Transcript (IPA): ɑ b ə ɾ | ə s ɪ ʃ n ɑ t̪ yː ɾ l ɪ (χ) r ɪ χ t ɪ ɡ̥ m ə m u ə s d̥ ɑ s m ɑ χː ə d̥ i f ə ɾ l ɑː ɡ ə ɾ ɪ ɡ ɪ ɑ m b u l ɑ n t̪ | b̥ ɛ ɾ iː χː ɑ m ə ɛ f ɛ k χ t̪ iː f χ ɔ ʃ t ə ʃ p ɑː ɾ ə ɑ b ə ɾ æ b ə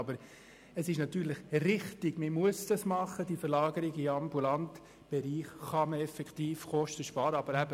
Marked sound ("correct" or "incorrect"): correct